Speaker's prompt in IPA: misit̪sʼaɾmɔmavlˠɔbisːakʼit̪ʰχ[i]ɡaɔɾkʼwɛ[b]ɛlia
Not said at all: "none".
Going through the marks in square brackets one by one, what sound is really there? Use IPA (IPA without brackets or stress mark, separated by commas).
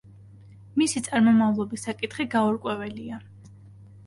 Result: i, v